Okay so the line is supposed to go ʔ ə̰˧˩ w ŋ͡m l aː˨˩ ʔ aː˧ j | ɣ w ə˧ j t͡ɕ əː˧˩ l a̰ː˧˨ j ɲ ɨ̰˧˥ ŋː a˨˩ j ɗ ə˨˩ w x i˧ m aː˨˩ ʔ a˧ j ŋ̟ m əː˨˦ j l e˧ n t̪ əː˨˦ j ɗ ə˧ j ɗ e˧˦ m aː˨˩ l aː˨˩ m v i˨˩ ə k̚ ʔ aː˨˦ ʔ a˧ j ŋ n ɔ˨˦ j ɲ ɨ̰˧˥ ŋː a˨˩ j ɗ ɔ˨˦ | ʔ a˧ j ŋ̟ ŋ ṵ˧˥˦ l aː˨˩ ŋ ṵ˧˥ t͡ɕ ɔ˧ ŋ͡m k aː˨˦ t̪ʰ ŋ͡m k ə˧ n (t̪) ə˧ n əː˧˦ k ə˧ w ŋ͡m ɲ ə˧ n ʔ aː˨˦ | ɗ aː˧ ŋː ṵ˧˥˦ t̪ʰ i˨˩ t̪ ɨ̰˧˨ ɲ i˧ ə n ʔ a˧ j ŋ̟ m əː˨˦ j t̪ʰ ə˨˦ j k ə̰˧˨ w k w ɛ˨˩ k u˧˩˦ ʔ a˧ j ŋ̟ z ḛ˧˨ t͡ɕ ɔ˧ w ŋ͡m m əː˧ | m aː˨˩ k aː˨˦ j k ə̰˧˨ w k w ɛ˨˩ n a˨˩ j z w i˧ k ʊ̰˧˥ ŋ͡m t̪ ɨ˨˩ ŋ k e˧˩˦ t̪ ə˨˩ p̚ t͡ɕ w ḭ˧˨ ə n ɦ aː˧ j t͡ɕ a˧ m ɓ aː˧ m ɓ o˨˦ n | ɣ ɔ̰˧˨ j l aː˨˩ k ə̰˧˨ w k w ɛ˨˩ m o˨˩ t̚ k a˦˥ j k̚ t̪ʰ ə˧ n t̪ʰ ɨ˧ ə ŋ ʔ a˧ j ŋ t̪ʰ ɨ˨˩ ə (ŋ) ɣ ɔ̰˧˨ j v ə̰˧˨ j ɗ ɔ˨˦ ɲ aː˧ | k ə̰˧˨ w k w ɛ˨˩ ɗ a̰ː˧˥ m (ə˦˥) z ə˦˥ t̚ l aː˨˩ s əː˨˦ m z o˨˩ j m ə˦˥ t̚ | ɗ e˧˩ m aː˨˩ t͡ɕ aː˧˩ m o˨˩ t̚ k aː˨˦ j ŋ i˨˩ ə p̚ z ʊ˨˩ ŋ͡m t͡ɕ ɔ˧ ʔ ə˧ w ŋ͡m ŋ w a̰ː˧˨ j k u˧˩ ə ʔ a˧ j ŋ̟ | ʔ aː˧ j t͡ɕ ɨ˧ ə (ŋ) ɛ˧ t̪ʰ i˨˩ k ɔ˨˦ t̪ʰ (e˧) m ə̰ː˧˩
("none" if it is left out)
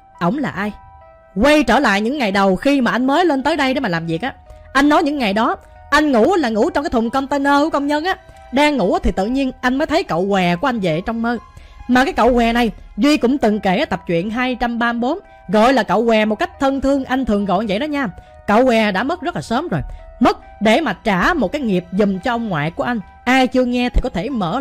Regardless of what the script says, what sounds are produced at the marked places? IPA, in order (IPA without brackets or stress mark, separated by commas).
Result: t̪, ŋ, ə˦˥, ŋ, e˧˩